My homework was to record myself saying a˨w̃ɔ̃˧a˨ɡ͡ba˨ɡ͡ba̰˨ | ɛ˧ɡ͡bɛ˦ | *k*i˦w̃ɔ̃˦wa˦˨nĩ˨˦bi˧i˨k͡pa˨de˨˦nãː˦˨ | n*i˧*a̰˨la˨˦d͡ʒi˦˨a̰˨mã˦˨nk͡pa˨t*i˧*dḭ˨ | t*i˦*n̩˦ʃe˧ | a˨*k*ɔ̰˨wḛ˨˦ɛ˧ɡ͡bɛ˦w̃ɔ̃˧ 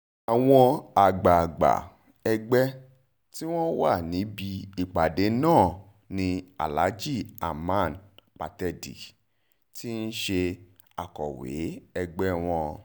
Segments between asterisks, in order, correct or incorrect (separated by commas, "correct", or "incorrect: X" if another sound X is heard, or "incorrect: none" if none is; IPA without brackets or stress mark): incorrect: t, incorrect: ĩ˧, incorrect: ɛ˧, correct, correct